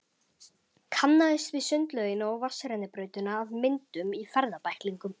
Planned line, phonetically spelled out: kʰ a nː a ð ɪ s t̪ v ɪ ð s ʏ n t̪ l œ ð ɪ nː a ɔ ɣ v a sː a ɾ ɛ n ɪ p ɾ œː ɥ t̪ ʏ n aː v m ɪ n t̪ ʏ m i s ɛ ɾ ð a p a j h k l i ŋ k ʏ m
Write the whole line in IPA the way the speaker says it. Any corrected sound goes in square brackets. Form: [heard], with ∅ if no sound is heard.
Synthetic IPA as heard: kʰ a nː a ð ɪ s t̪ v ɪ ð s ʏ n t̪ l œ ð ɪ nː a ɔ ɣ v a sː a ɾ ɛ n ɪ p ɾ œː ɥ t̪ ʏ n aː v m ɪ n t̪ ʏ m i [f] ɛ ɾ ð a p a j h k l i ŋ k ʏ m